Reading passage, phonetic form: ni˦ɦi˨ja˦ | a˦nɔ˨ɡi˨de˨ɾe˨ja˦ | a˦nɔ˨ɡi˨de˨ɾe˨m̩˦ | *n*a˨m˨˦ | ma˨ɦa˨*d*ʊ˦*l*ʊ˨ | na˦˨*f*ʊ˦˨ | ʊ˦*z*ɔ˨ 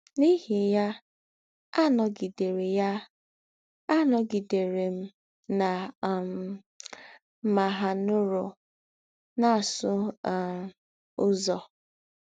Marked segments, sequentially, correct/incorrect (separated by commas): correct, incorrect, incorrect, incorrect, correct